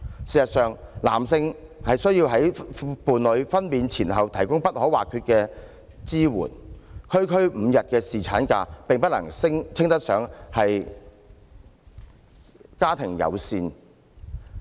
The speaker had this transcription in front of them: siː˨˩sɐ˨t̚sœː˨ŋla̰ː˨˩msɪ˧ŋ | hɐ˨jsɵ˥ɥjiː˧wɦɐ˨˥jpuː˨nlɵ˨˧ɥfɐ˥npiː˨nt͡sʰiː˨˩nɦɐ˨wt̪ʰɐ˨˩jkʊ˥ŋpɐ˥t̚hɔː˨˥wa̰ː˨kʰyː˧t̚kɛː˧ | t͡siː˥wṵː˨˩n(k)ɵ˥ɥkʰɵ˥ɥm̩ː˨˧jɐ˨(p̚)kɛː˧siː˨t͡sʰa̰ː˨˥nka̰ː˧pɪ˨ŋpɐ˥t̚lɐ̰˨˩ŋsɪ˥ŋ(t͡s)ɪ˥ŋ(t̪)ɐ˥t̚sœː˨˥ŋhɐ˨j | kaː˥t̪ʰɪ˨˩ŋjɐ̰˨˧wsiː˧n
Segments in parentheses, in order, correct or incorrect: incorrect: kʰ, incorrect: t̚, incorrect: t͡sʰ, correct

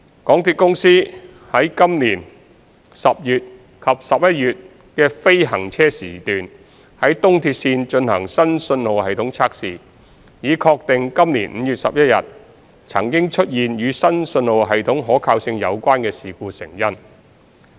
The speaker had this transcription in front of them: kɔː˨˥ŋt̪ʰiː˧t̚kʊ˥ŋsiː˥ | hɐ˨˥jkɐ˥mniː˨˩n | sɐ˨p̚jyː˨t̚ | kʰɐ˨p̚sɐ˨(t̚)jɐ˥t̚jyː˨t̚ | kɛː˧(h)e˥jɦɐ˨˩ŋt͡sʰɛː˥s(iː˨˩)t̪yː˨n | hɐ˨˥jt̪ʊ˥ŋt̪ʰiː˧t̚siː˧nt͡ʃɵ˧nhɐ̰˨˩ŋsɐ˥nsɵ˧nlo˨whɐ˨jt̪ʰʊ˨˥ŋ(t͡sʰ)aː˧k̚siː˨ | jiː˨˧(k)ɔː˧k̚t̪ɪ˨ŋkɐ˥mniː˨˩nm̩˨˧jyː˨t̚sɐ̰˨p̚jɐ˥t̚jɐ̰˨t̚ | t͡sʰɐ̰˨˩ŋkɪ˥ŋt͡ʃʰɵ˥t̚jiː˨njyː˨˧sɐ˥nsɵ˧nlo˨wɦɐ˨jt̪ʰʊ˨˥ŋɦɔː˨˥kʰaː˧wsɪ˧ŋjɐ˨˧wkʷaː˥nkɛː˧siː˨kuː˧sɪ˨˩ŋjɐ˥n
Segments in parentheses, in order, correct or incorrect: incorrect: p̚, incorrect: f, correct, correct, incorrect: kʰ

